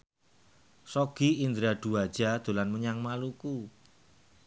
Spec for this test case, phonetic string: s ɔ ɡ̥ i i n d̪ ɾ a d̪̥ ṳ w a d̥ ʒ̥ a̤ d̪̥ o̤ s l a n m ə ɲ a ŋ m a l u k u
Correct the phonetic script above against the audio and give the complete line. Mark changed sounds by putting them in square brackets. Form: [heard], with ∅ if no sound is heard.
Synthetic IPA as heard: s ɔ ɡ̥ i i n d̪ ɾ a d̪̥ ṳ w a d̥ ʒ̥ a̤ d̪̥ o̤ [∅] l a n m ə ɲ a ŋ m a l u k u